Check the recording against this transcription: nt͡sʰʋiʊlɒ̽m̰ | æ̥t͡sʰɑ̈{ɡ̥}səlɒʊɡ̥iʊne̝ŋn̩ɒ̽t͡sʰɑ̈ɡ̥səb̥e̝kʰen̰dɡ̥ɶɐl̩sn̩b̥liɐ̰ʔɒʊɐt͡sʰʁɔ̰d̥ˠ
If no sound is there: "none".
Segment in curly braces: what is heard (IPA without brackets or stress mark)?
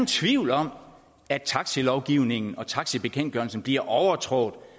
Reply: ɡ̥